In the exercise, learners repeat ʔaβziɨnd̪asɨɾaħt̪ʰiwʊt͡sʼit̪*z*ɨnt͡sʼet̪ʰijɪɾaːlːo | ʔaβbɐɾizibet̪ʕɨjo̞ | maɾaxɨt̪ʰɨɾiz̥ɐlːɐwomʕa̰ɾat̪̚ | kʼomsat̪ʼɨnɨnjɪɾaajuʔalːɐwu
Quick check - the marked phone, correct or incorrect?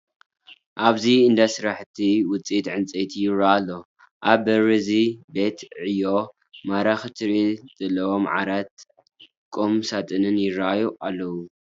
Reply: incorrect